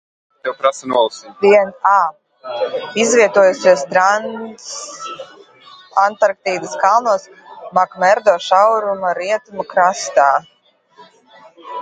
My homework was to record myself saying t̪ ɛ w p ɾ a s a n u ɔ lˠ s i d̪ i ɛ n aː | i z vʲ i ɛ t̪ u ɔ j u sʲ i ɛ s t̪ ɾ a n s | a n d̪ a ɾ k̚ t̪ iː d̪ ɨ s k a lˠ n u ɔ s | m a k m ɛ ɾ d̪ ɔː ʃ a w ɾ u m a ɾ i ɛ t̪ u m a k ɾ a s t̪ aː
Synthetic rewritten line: t̪ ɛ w p ɾ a s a n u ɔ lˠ s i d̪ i ɛ n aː | i z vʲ i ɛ t̪ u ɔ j u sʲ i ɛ s t̪ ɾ a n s | a n t̪ a ɾ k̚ t̪ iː d̪ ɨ s k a lˠ n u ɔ s | m a k m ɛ ɾ d̪ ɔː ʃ a w ɾ u m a ɾ i ɛ t̪ u m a k ɾ a s t̪ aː